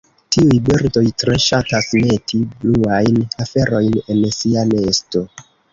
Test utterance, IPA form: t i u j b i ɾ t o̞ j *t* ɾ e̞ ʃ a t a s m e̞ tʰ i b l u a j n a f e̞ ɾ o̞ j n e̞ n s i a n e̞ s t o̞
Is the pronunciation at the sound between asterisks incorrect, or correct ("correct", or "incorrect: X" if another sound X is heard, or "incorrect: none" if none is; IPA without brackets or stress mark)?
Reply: correct